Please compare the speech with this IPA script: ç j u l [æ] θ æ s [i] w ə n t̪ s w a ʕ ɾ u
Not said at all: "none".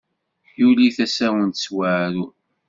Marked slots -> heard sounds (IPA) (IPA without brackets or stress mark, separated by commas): i, æ